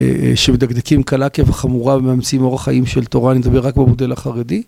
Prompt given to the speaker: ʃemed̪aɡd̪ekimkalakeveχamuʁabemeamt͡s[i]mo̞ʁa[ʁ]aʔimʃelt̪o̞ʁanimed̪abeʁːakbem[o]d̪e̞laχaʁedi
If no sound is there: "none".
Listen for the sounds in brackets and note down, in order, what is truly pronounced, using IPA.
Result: i, χ, o

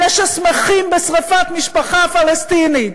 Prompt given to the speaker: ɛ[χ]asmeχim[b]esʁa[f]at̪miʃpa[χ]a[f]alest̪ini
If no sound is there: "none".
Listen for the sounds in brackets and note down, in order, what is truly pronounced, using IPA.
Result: ʃ, b, f, χ, f

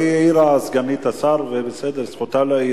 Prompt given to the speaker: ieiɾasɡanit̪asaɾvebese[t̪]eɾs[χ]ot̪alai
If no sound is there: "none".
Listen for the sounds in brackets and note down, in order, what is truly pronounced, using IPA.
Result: d̪, χ

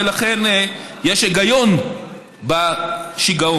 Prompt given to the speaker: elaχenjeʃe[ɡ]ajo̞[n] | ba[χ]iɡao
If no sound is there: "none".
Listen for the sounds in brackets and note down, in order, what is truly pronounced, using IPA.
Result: ɡ, n, ʃ

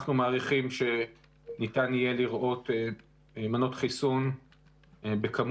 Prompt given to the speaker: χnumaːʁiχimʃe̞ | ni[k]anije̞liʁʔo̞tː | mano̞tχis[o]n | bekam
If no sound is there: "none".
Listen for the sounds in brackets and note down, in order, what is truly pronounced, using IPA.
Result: t, u

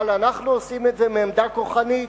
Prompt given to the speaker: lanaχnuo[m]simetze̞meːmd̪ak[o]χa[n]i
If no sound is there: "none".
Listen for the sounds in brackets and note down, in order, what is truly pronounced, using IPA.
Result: none, o, n

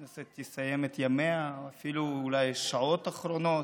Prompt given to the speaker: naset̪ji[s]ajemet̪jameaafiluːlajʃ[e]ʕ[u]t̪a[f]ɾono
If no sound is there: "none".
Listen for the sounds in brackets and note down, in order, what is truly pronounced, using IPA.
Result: s, a, o, χ

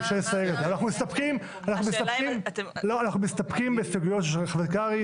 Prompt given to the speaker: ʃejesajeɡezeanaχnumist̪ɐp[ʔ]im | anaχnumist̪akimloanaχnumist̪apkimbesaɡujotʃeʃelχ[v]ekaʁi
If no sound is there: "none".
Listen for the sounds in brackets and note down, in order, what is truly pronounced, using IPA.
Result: k, v

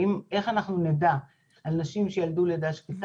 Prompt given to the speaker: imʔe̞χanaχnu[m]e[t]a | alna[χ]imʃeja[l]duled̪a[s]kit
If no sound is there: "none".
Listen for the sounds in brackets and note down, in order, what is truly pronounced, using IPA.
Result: n, d, ʃ, l, ʃ

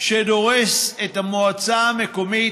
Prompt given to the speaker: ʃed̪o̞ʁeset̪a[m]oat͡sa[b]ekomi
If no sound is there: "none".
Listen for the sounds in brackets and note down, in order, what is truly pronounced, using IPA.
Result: m, m

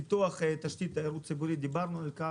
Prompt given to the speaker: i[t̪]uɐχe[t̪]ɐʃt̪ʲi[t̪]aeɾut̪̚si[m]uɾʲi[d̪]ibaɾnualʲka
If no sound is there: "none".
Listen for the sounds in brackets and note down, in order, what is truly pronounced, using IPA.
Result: t̪, t̪, t̪, b, d̪

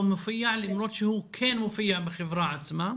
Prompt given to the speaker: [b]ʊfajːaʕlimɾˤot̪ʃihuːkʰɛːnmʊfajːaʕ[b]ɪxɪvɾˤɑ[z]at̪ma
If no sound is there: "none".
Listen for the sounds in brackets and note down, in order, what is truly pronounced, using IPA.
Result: m, b, ʕ

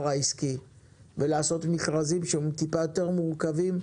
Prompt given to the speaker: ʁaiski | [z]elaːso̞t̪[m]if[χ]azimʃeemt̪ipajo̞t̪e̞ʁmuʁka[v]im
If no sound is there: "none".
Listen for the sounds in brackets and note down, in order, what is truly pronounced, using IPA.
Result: v, m, ʁ, v

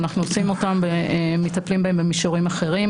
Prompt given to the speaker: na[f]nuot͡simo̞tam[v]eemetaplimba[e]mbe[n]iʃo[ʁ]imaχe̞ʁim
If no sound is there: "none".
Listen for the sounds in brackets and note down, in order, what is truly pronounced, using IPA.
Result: χ, b, e, m, ʁ

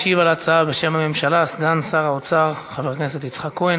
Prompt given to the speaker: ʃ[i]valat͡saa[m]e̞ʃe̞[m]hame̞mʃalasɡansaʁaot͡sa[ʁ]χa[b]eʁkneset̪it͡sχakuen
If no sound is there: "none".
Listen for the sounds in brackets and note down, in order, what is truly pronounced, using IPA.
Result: i, b, m, ʁ, v

